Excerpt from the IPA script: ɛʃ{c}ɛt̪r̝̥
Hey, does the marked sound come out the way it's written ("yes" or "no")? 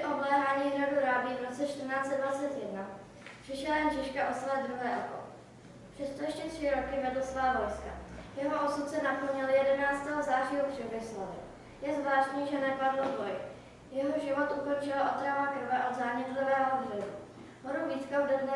yes